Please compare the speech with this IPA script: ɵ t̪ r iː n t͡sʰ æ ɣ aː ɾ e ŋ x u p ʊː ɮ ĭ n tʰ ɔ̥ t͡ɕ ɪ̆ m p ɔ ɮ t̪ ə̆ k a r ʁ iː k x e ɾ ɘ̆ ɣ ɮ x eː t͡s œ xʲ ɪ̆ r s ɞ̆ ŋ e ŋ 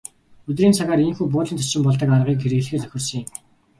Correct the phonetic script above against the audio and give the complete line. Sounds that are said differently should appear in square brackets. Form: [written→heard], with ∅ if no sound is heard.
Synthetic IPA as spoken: ɵ t̪ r iː n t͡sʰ [æ→a] ɣ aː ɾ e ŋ x [u→uː] p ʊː ɮ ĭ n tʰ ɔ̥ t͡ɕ ɪ̆ m p ɔ ɮ t̪ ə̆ k a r ʁ iː k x e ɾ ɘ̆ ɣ ɮ x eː t͡s œ xʲ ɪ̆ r s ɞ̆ ŋ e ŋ